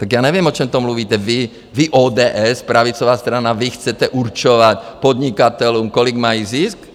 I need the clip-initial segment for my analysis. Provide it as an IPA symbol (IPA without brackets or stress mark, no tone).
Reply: t̪